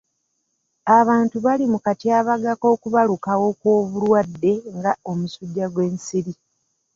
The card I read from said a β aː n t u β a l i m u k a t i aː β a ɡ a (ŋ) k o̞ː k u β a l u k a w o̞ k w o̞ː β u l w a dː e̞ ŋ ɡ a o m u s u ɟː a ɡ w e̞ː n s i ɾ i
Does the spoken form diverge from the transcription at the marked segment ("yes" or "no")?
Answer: yes